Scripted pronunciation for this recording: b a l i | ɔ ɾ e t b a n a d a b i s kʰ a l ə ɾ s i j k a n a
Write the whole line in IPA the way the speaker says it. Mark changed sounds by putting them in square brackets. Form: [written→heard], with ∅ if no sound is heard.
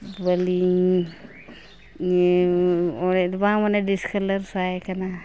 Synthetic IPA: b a l i | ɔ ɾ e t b a [n→m] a [d→n] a [b→d] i s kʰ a l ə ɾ s [i→a] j k a n a